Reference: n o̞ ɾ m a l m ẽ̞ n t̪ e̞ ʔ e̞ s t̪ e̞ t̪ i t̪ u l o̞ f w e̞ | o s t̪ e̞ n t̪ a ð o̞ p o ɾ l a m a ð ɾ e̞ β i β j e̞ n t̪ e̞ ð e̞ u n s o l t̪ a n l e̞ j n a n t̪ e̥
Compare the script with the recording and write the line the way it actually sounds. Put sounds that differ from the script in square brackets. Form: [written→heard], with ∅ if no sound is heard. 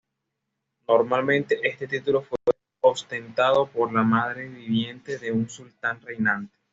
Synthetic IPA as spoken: n o̞ ɾ m a l m ẽ̞ n t̪ e̞ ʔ e̞ s t̪ e̞ t̪ i t̪ u l o̞ f w e̞ | o s t̪ e̞ n t̪ a ð o̞ p o ɾ l a m a ð ɾ e̞ β i β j e̞ n t̪ e̞ ð e̞ u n s [o→u] l t̪ a n [l→r] e̞ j n a n t̪ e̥

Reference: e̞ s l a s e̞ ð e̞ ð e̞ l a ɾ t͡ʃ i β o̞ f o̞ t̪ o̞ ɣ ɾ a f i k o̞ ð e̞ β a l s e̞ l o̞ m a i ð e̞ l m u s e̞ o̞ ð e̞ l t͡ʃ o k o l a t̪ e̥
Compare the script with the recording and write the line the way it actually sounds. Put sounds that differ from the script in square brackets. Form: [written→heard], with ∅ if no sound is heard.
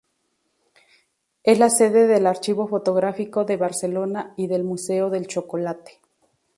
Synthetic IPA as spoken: e̞ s l a s e̞ ð e̞ ð e̞ l a ɾ t͡ʃ i β o̞ f o̞ t̪ o̞ ɣ ɾ a f i k o̞ ð e̞ β a [l→ɾ] s e̞ l o̞ [m→n] a i ð e̞ l m u s e̞ o̞ ð e̞ l t͡ʃ o k o l a t̪ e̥

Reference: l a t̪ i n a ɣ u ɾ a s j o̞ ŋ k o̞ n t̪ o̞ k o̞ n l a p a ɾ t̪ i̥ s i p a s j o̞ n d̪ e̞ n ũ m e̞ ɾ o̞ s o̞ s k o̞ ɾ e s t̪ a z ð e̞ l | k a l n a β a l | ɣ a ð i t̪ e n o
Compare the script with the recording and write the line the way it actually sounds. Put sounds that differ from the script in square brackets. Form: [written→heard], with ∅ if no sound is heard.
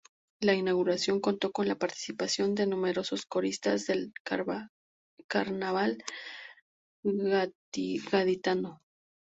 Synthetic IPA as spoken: l a [t̪→∅] i n a ɣ u ɾ a s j o̞ ŋ k o̞ n t̪ o̞ k o̞ n l a p a ɾ t̪ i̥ s i p a s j o̞ n d̪ e̞ n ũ m e̞ ɾ o̞ s o̞ s k o̞ ɾ [e→i] s t̪ a z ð e̞ l | k a [l→ɾ] n a β a l | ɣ a ð i t̪ [e→a] n o

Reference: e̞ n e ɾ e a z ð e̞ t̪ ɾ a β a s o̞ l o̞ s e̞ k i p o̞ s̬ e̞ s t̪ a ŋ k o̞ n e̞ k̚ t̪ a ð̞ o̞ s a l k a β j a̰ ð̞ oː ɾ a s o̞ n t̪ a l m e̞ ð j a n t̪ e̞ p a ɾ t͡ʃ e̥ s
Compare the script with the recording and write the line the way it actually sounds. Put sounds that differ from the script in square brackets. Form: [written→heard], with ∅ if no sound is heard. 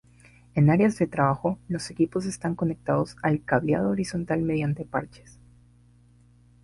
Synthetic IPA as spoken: e̞ n [e→a] ɾ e a z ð e̞ t̪ ɾ a β a [s→x] o̞ l o̞ s e̞ k i p o̞ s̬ e̞ s t̪ a ŋ k o̞ n e̞ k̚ t̪ a ð̞ o̞ s a l k a β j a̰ ð̞ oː ɾ [a→i] s o̞ n t̪ a l m e̞ ð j a n t̪ e̞ p a ɾ t͡ʃ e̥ s

